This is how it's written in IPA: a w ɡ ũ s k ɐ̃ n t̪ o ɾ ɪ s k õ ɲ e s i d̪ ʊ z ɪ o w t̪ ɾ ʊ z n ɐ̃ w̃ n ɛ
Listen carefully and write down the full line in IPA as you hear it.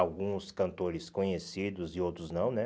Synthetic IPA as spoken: a w ɡ ũ s k ɐ̃ n t̪ o ɾ ɪ s k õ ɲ e s i d̪ ʊ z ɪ o w t̪ ɾ ʊ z n ɐ̃ w̃ n ɛ